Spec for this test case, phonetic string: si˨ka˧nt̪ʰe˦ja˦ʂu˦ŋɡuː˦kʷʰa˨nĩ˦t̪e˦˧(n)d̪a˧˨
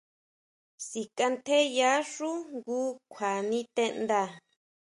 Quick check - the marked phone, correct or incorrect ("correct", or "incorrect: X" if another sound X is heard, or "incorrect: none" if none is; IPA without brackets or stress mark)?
correct